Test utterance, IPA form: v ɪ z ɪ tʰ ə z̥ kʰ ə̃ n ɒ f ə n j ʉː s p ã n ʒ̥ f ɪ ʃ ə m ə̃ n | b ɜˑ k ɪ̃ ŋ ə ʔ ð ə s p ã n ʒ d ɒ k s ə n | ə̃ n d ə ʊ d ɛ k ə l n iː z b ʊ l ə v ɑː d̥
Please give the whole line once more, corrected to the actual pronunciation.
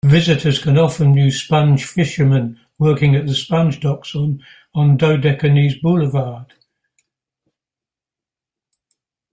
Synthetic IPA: v ɪ z ɪ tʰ ə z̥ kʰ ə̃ n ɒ f ə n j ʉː s p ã n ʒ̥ f ɪ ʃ ə m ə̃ n | w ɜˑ k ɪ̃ ŋ ə ʔ ð ə s p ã n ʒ d ɒ k s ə n | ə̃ n d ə ʊ d ɛ k ə n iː z b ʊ l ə v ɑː d̥